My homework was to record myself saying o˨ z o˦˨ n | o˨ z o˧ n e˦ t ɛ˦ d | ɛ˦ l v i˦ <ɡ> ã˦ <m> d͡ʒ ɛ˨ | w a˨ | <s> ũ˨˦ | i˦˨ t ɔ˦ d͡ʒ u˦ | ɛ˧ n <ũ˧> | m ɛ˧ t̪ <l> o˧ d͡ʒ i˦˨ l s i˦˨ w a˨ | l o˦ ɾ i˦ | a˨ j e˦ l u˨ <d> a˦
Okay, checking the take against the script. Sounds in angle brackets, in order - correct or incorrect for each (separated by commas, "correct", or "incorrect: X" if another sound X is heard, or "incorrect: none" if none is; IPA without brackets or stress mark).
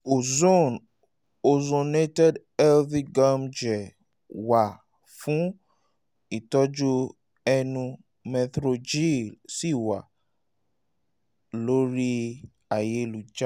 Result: correct, correct, incorrect: f, correct, incorrect: ɾ, incorrect: d͡ʒ